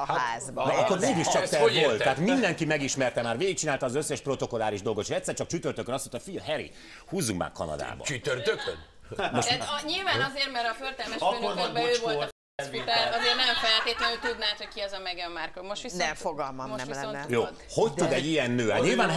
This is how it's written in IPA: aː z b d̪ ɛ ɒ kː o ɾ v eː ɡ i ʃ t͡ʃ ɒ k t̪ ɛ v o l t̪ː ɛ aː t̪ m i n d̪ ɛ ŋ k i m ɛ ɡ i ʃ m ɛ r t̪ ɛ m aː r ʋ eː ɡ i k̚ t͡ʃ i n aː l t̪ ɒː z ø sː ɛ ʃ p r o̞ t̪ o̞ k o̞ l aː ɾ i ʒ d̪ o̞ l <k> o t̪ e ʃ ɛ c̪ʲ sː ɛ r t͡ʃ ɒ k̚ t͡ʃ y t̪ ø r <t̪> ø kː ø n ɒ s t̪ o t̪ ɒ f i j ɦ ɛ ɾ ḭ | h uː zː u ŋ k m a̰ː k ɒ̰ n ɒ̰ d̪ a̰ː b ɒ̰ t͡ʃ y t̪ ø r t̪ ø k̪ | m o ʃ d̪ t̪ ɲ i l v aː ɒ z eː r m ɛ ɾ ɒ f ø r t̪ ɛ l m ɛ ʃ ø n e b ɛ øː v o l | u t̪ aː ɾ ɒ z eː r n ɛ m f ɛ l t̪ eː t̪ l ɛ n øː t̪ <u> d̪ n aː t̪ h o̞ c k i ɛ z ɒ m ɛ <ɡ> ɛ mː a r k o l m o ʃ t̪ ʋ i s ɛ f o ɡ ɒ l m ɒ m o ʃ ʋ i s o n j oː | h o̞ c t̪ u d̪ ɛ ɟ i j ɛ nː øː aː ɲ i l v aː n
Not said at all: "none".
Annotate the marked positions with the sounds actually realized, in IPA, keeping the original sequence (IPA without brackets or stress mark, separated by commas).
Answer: ɡ, t̪, u, ɡ